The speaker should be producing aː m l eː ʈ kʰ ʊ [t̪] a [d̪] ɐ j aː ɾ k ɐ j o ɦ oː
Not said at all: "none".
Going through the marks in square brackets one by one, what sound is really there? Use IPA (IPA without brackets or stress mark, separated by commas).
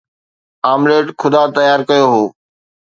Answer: d̪, t̪